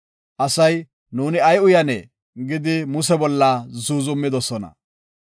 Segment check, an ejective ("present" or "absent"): absent